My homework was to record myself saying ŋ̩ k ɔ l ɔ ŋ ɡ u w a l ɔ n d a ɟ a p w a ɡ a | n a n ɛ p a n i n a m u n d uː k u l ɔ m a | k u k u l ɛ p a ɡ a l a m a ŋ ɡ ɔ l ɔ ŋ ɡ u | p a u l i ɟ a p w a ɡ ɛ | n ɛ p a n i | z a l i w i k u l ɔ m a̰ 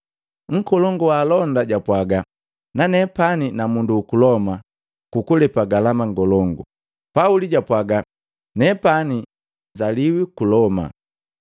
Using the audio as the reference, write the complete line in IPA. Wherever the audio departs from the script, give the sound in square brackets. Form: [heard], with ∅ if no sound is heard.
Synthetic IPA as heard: ŋ̩ k ɔ l ɔ ŋ ɡ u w a l ɔ n d a ɟ a p w a ɡ a | n a n ɛ p a n i n a m u n d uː k u l ɔ m a | k u k u l ɛ p a ɡ a l a m a ŋ ɡ ɔ l ɔ ŋ ɡ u | p a u l i ɟ a p w a ɡ [a] | n ɛ p a n i | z a l i w i k u l ɔ m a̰